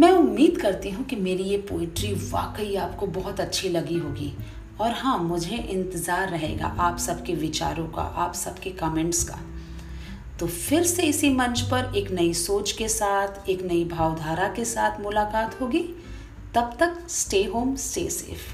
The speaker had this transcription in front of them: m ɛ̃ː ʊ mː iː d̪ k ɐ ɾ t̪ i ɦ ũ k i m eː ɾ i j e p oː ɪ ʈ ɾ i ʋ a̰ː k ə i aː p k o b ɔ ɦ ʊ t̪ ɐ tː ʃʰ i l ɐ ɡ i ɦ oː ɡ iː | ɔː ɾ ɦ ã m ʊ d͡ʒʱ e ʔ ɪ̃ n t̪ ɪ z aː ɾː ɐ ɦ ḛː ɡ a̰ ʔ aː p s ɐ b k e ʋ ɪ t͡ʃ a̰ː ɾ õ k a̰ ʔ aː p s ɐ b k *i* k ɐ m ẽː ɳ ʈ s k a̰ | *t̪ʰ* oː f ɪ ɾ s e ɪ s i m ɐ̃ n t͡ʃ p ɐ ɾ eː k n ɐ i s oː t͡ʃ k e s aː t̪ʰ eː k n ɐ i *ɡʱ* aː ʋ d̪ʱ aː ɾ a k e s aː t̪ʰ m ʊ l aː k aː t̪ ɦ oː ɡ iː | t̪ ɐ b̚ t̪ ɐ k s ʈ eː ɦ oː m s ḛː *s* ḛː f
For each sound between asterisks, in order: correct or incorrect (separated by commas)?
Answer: incorrect, incorrect, incorrect, correct